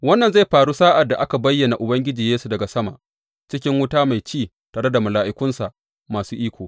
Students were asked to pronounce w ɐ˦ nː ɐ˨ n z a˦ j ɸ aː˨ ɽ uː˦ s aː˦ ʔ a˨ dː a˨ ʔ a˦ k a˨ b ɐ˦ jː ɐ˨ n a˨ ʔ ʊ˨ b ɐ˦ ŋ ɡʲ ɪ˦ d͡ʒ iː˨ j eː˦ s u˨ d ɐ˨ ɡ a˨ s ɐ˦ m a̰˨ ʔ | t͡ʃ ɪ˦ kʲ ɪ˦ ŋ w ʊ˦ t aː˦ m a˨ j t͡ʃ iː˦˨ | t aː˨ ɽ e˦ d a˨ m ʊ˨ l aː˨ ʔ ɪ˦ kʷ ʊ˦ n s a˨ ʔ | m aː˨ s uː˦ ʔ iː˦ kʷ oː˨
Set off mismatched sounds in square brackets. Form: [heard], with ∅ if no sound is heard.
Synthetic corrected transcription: w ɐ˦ nː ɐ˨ n z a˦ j ɸ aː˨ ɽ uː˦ s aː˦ ʔ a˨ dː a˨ ʔ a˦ k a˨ b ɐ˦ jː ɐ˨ n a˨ ʔ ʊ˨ b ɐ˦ ŋ ɡʲ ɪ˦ d͡ʒ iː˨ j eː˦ s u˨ d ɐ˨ ɡ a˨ s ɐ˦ m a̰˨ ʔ | t͡ʃ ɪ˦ kʲ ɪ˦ ŋ w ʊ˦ t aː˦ m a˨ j t͡ʃ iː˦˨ | t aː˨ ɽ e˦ d a˨ m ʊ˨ l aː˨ ʔ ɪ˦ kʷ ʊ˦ n s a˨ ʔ | m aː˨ s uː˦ ʔ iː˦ kʷ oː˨